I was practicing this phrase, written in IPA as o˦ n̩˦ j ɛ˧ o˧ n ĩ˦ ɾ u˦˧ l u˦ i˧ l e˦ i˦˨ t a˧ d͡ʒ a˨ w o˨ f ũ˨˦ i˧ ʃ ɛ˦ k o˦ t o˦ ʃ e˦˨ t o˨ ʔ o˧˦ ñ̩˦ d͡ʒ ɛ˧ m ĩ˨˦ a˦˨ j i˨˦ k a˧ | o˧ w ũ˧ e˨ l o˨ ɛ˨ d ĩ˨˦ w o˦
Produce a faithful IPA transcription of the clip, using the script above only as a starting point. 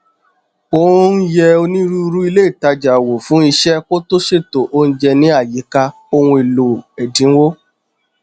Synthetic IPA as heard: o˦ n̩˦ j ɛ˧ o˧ n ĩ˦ ɾ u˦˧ ɾ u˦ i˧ l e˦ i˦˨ t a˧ d͡ʒ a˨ w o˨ f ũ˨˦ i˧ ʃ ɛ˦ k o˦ t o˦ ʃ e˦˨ t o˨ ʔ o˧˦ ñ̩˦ d͡ʒ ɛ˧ n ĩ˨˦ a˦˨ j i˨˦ k a˧ | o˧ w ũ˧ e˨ l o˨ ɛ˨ d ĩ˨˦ w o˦